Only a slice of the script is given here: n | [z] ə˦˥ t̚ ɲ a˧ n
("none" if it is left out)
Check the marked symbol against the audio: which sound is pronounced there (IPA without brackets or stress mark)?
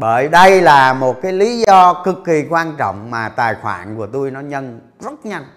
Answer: z